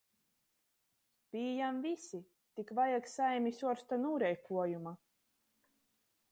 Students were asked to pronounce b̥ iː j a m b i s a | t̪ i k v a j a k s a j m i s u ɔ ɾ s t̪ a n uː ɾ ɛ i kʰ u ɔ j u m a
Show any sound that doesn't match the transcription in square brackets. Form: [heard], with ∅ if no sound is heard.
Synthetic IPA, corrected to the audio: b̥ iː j a m [v] i s [i] | t̪ i k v a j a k s a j m i s u ɔ ɾ s t̪ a n uː ɾ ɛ [j] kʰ u ɔ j u m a